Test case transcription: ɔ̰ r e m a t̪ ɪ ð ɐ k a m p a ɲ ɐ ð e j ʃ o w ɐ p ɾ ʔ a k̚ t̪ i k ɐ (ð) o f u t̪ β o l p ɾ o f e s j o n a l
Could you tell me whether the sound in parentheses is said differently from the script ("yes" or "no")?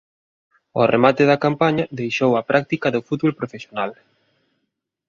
no